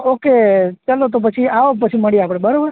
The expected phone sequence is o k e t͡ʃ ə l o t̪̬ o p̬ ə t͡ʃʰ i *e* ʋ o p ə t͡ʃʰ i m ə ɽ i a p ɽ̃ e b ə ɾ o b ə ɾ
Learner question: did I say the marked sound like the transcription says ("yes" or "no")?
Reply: no